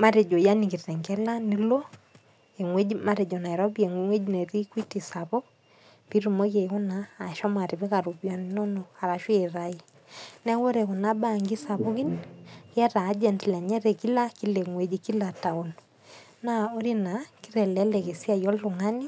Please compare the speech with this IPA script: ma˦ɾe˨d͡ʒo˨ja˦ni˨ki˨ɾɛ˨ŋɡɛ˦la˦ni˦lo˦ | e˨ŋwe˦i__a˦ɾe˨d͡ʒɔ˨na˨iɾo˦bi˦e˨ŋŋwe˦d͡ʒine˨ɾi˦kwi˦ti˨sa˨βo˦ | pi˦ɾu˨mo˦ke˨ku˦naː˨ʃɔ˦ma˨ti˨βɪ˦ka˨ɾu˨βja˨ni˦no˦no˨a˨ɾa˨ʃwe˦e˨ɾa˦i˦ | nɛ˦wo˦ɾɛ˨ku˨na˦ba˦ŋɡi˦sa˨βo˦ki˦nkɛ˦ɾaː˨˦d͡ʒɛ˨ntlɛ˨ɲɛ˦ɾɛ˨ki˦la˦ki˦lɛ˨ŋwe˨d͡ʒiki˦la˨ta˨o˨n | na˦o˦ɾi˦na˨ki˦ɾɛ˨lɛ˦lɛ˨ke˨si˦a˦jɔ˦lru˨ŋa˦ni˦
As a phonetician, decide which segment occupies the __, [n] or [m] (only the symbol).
m